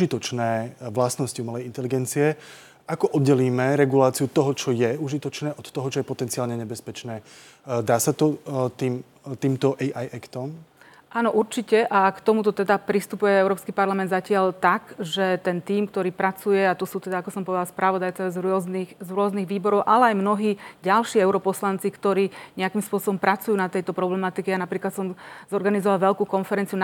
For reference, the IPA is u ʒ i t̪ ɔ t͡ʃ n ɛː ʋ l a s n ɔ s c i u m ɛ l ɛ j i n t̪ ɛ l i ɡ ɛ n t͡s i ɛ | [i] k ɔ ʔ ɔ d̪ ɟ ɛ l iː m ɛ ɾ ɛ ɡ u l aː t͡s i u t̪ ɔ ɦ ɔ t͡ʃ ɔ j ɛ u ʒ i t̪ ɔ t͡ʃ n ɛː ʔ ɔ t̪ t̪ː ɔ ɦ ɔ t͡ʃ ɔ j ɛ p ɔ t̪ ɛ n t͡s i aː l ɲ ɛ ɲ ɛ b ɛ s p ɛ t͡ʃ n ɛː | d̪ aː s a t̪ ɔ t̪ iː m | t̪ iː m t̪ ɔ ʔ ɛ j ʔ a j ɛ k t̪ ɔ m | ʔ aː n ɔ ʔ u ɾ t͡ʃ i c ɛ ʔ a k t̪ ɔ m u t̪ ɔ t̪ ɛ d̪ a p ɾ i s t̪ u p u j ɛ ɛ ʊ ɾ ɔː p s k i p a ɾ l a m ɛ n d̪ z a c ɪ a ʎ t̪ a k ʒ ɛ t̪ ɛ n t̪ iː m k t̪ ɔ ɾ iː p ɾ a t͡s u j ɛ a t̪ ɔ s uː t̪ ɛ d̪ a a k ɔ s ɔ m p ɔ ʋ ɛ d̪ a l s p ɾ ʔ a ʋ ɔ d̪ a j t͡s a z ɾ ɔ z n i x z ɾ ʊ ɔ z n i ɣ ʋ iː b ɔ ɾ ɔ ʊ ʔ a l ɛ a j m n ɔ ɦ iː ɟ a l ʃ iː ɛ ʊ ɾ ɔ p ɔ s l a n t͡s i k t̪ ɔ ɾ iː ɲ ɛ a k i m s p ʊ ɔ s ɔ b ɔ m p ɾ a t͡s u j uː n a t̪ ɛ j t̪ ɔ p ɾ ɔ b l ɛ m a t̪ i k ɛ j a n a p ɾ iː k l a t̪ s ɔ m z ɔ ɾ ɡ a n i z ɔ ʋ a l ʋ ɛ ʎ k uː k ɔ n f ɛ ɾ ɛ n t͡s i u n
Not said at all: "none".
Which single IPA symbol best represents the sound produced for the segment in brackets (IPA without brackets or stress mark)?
a